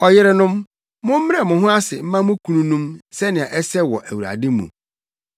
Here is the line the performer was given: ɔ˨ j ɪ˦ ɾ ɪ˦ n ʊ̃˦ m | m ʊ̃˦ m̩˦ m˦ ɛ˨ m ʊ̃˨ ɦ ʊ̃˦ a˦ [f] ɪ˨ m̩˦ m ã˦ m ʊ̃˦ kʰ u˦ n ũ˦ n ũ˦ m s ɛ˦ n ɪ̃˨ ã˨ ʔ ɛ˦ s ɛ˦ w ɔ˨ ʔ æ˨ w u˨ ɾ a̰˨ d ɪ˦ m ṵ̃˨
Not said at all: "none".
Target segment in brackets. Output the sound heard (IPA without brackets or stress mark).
s